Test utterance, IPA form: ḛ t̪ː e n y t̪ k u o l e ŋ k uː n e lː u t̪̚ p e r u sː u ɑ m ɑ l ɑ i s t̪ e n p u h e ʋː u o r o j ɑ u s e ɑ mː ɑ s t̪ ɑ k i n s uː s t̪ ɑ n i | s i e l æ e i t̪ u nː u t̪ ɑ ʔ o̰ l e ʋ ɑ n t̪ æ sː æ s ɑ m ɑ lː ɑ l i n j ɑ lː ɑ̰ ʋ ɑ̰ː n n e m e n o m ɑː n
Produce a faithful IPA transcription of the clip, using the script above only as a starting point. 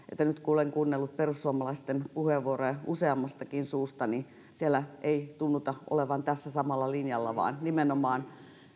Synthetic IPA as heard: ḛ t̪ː æ n y t̪ k u o l e ŋ k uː nː e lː u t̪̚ p e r u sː u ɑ m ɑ l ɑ i s t̪ e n p u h e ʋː u o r o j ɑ u s e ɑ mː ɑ s t̪ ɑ k i n s uː s t̪ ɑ n i | s i e l æ e i t̪ u nː u t̪ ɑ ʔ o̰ l e ʋ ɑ n t̪ æ sː æ s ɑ m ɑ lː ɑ l i n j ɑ lː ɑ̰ ʋ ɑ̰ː n n i m e n o m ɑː n